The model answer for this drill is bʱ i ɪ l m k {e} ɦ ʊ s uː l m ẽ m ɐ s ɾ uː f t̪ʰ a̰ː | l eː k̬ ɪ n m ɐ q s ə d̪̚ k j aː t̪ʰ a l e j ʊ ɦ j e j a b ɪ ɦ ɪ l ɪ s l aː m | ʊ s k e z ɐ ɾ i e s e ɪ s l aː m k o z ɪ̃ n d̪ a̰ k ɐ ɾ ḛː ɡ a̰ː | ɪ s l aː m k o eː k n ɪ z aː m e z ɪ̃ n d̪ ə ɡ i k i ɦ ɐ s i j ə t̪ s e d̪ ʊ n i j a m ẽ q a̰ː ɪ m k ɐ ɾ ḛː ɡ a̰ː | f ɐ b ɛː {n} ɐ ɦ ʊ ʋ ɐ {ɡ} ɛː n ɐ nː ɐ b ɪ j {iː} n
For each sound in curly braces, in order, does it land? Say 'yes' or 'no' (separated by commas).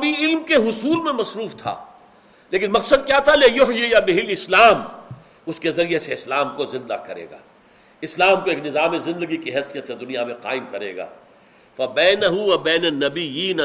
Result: yes, yes, no, yes